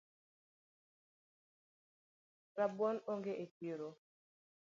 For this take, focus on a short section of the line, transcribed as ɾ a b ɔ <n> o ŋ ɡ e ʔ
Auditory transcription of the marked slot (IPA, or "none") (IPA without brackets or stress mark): n